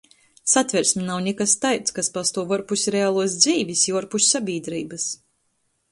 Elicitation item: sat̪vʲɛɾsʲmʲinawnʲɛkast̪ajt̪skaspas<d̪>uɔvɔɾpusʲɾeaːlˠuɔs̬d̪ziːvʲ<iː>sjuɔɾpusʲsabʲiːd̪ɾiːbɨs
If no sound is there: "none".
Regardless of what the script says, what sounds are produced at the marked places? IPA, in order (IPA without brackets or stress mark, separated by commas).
t̪, i